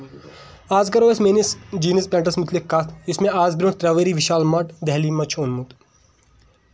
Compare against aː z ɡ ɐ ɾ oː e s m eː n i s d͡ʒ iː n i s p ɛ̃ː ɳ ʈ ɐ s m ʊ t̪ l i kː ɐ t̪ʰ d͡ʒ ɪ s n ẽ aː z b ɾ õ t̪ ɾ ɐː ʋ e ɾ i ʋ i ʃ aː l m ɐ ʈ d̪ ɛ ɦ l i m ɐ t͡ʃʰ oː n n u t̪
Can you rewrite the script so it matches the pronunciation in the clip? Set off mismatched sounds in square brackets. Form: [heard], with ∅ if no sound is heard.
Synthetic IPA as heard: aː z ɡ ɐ ɾ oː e s m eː n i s d͡ʒ iː n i s p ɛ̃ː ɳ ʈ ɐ s m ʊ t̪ l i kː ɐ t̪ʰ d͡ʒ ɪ s [m] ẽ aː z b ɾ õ t̪ ɾ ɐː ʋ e ɾ i ʋ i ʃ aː l m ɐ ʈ d̪ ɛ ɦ l i m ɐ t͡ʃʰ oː n [m] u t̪